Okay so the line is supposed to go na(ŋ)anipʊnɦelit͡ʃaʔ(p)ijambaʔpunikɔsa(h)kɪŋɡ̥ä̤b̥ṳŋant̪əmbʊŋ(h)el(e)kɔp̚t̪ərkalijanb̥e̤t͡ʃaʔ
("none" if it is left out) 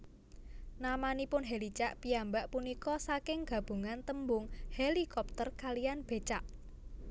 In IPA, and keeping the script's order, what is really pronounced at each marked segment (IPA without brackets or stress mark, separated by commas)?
m, p, none, h, i